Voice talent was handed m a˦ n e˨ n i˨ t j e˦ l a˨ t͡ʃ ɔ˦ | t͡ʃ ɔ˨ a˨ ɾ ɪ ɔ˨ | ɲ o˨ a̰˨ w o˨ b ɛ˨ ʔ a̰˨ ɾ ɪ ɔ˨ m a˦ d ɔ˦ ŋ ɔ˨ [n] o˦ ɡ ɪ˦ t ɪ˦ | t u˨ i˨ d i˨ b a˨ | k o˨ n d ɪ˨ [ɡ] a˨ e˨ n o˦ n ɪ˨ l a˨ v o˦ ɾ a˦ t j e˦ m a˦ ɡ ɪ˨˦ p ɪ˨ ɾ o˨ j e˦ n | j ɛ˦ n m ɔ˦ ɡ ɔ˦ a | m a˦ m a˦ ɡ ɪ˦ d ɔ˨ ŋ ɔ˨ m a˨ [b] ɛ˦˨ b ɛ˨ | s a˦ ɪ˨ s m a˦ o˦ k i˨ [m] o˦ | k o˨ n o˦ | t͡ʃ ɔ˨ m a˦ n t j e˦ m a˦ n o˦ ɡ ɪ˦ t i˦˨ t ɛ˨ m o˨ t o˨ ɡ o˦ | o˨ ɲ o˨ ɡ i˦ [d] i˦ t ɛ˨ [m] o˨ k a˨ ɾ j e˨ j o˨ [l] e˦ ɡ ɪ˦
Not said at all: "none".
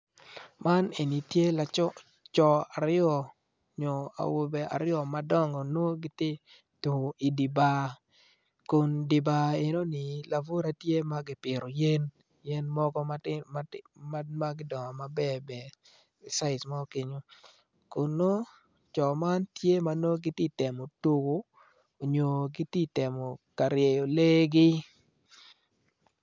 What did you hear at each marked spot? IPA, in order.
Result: n, b, b, ɲ, t, m, l

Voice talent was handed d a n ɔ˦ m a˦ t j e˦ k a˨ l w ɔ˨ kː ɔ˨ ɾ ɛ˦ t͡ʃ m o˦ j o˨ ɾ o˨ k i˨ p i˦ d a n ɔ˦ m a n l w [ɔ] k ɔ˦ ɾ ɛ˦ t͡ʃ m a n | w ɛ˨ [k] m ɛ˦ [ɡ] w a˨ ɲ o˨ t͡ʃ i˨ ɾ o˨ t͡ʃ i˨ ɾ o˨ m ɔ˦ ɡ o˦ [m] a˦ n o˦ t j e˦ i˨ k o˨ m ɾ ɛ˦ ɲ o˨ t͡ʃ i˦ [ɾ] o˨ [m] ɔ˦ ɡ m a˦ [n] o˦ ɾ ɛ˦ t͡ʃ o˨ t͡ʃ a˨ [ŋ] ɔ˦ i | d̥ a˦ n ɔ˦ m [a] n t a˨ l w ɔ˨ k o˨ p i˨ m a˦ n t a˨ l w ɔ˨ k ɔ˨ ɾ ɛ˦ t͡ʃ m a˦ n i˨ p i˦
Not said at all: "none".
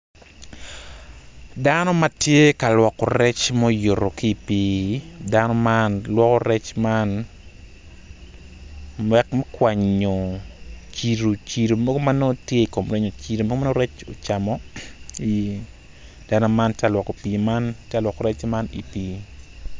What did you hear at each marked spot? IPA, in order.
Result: ɔ, k, k, m, ɾ, m, n, m, a

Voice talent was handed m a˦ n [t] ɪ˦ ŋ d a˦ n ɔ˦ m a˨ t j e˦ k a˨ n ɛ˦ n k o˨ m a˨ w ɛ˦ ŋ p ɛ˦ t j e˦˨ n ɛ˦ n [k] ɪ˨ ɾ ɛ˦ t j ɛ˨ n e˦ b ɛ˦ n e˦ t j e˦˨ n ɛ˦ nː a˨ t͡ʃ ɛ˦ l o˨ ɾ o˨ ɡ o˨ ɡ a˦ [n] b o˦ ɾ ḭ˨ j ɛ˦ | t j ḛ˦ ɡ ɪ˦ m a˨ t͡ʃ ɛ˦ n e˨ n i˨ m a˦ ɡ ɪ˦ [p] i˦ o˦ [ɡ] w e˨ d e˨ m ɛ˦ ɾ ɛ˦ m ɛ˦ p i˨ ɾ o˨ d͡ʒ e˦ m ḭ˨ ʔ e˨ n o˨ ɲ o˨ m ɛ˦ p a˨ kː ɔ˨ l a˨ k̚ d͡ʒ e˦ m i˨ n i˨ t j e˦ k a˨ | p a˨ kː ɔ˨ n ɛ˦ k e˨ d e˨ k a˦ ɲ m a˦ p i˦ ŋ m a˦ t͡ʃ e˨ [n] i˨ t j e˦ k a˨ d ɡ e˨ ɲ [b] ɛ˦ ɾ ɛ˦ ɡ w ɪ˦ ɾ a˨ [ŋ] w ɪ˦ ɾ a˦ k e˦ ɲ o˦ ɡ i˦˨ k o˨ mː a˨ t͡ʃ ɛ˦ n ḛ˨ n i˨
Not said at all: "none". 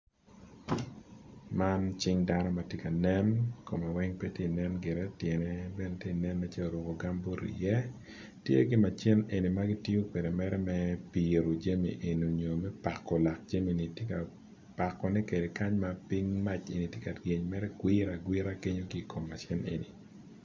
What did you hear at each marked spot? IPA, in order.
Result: t͡ʃ, ɡ, m, t, k, n, m, ɡ

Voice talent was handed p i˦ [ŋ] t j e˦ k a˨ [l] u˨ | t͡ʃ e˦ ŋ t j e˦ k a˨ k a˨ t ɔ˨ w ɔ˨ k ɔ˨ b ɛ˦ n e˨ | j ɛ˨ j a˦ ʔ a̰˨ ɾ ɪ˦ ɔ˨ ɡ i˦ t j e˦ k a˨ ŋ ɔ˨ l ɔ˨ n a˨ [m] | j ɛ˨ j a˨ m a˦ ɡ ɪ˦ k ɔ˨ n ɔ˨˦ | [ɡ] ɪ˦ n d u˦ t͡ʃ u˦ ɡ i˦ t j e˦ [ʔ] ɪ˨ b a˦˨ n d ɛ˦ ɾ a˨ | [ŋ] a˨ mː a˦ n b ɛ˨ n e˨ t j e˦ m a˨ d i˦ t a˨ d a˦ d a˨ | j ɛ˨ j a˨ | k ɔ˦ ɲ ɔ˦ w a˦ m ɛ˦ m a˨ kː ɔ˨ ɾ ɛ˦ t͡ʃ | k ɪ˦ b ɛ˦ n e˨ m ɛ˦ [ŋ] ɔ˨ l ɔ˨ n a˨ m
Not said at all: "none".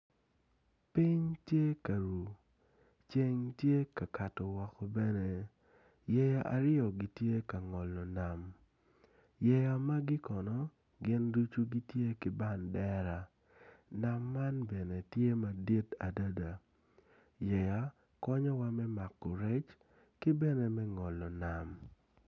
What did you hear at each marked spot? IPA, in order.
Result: ɲ, ɾ, m, ɡ, k, n, ŋ

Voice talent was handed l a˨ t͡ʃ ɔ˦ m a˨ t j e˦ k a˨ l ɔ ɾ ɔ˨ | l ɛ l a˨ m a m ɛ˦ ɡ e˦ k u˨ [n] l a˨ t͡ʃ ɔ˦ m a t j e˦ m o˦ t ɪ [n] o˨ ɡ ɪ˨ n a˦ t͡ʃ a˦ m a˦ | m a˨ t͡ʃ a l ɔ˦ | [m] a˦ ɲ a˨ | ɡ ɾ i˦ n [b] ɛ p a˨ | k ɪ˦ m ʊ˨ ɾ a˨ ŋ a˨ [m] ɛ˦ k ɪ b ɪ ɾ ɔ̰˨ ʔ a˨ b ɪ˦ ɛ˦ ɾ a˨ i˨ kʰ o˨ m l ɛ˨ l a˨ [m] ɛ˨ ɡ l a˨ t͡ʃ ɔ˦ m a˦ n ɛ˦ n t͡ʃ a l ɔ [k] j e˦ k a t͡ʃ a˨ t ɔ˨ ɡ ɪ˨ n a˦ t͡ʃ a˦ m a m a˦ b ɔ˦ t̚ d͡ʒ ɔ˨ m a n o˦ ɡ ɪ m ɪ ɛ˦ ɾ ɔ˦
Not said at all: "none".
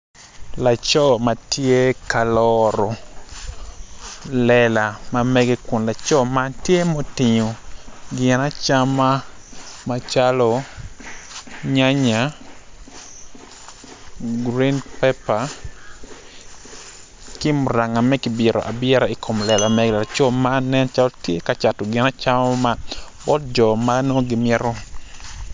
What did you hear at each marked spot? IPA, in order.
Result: n, ɲ, ɲ, p, m, m, t

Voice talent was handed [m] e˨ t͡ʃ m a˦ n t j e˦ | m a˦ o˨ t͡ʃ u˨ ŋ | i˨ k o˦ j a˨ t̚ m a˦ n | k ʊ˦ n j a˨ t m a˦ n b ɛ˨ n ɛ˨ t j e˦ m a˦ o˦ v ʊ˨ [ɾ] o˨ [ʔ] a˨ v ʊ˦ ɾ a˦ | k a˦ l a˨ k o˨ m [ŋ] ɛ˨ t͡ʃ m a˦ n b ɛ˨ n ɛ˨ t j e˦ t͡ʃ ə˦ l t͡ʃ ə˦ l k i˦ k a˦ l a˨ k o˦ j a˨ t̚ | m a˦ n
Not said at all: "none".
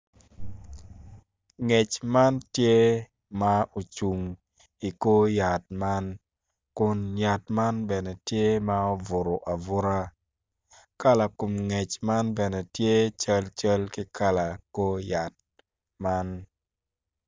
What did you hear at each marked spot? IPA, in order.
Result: ŋ, ɾ, ʔ, ŋ

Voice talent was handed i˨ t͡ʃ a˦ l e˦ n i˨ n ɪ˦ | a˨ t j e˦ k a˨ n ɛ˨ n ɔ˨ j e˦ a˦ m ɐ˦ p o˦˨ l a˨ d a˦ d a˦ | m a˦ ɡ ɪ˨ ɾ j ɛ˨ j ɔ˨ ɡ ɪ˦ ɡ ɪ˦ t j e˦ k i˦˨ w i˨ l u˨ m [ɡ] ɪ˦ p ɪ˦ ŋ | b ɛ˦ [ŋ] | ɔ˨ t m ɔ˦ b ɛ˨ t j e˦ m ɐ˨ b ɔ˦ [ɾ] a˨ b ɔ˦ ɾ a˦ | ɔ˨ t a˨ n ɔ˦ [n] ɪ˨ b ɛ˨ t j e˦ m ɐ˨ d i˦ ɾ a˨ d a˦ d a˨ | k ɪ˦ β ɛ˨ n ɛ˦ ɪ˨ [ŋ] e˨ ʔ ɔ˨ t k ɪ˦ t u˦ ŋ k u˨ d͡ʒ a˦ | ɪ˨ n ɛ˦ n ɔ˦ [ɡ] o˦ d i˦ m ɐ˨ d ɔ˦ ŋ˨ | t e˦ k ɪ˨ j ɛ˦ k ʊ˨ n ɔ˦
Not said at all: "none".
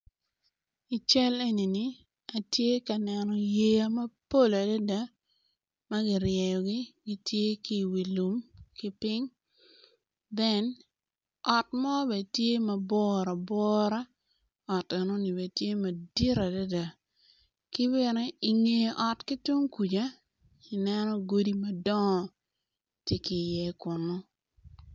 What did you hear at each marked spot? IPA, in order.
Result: k, n, ɾ, n, ŋ, ɡ

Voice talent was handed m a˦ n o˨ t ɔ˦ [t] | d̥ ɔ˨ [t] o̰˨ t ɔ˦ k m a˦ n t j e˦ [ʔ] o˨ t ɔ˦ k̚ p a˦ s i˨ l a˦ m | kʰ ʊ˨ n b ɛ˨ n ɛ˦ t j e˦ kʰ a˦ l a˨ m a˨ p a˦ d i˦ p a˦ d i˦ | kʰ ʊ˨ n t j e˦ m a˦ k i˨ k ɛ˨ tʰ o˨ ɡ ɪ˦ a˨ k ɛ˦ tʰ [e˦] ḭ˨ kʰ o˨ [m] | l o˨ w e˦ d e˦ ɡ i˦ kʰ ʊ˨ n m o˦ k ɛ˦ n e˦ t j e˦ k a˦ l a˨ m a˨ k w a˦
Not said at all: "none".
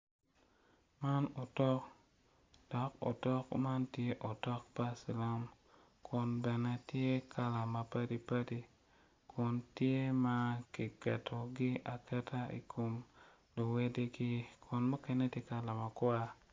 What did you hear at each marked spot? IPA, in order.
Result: k, k, ʔ, a˦, m

